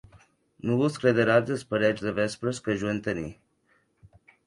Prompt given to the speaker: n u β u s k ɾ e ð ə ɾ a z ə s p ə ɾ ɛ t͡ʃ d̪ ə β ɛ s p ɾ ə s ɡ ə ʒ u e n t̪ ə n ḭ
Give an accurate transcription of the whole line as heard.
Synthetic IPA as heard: n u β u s k ɾ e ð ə ɾ a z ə s p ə ɾ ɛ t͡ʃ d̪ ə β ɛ s p ɾ ə s k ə ʒ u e n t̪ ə n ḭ